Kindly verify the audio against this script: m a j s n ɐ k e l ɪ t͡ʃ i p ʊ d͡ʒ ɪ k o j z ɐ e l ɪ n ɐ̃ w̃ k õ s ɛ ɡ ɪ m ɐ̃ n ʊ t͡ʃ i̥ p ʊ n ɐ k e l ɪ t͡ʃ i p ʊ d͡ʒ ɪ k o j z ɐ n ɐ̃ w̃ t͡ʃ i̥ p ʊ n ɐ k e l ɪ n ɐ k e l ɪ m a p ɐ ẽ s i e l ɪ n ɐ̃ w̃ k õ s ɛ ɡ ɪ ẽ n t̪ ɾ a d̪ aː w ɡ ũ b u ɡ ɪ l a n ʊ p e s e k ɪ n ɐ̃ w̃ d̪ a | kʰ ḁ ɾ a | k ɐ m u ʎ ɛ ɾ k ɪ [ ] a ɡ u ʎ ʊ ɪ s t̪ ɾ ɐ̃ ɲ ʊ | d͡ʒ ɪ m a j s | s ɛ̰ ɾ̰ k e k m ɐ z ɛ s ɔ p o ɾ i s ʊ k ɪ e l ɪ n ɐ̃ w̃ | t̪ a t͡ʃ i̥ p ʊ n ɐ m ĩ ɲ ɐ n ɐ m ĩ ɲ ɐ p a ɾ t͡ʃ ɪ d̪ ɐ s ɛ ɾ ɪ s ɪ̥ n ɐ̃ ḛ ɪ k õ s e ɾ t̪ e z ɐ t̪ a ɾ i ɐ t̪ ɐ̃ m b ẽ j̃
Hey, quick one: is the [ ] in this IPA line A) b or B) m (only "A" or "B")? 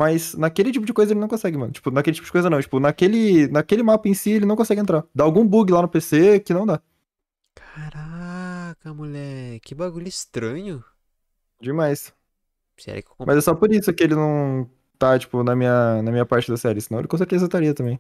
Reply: A